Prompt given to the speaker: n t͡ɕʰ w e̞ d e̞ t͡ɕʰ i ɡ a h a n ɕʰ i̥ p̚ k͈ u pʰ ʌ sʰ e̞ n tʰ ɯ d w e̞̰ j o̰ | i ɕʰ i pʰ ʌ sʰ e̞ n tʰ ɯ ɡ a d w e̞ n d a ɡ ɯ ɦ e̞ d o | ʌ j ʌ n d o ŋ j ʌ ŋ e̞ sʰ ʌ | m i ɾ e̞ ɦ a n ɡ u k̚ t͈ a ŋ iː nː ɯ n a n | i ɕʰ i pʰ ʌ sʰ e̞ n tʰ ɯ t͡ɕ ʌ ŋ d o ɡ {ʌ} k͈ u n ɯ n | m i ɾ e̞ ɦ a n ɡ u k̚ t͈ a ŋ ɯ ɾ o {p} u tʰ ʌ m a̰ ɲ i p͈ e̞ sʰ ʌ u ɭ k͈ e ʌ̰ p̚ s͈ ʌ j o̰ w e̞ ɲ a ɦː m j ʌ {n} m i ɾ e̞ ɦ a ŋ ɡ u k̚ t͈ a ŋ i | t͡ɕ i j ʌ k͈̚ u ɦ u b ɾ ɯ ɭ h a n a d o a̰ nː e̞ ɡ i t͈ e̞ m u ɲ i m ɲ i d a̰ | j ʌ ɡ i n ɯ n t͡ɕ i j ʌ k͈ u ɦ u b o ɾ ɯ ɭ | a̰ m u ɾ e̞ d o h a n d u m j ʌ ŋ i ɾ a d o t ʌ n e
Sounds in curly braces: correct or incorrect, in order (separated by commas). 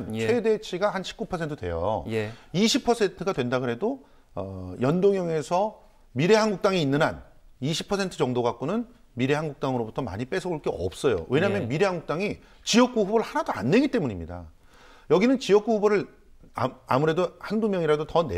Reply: incorrect, incorrect, correct